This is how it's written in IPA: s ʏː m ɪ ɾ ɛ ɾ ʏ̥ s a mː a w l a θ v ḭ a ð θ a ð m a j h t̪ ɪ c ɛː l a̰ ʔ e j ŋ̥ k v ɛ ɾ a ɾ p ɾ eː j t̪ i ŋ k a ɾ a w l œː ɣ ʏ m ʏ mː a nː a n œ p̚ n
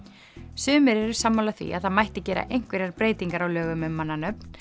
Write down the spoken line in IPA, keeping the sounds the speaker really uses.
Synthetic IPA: s ʏː m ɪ ɾ ɛ ɾ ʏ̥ s a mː a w l a θ v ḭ a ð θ a ð m a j h t̪ ɪ c ɛː ɾ a̰ ʔ e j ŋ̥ k v ɛ ɾ a ɾ p ɾ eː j t̪ i ŋ k a ɾ a w l œː ɣ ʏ m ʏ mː a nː a n œ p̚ n